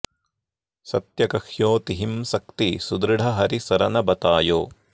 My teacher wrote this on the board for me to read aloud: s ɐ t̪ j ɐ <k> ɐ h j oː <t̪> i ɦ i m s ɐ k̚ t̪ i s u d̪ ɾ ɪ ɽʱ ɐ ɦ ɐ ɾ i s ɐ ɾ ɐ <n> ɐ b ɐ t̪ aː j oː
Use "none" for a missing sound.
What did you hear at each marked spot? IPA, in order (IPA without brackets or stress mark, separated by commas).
k, t̪, n